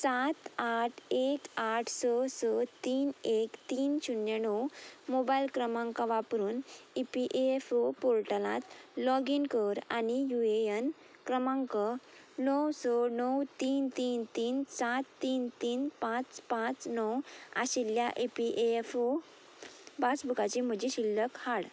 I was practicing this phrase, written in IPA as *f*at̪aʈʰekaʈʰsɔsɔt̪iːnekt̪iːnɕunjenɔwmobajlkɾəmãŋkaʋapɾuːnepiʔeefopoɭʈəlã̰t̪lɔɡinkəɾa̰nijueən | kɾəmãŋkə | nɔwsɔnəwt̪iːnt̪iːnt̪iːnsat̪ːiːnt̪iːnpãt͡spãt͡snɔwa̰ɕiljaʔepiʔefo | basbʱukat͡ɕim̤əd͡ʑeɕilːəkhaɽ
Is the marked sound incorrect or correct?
incorrect